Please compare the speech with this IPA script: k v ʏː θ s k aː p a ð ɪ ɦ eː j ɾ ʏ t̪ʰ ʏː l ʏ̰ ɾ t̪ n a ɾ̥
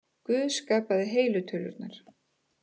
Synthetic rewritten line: k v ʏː ð s k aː p a ð ɪ ɦ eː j l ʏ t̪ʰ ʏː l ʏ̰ ɾ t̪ n a ɾ̥